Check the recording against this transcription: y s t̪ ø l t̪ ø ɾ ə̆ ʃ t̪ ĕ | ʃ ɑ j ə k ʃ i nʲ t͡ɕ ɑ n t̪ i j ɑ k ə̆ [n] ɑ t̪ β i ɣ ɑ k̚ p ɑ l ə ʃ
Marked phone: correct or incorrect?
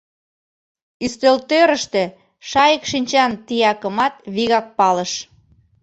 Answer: incorrect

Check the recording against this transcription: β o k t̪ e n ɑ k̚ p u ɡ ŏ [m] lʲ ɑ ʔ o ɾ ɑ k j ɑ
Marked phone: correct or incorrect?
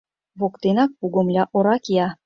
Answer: correct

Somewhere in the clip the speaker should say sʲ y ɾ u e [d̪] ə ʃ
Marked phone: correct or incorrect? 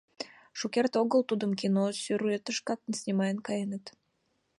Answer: incorrect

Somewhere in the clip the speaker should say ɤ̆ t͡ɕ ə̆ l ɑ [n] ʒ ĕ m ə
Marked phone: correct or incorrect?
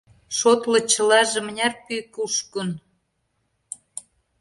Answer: incorrect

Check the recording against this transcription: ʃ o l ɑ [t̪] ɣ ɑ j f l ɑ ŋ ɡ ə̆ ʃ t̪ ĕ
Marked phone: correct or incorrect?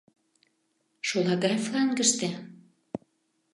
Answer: incorrect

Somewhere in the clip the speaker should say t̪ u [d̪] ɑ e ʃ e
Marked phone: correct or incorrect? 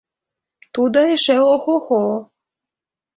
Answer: correct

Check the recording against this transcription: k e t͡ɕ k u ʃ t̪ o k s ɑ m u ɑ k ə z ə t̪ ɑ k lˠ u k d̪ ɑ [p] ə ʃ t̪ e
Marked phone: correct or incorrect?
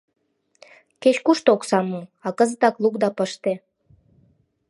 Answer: correct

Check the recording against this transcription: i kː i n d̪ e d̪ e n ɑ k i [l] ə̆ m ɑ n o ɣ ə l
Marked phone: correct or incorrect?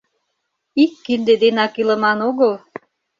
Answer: correct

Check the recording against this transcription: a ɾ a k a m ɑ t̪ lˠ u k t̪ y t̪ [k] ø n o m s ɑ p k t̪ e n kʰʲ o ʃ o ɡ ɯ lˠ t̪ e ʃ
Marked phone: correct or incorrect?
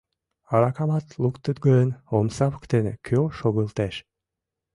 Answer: incorrect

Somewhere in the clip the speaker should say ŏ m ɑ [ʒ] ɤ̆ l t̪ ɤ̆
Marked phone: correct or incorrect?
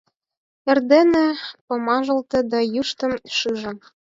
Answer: correct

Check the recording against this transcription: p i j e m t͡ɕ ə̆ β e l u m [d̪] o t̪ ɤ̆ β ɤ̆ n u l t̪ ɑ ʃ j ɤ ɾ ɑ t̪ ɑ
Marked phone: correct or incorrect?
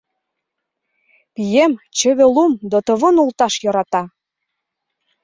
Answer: correct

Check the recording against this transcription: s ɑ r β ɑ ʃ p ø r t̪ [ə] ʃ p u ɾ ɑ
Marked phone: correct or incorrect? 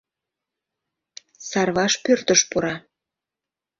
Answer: correct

